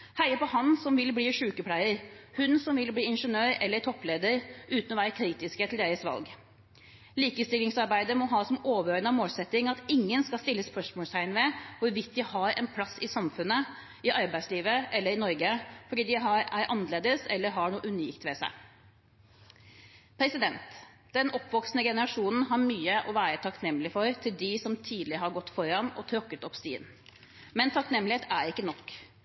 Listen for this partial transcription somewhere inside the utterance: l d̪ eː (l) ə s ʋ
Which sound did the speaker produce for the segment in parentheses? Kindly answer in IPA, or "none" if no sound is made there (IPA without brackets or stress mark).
ɾ